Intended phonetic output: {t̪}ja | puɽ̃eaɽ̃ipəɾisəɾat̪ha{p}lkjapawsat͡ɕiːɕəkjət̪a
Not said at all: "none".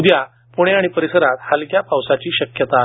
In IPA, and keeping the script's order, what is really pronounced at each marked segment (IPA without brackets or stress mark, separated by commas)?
d̪, none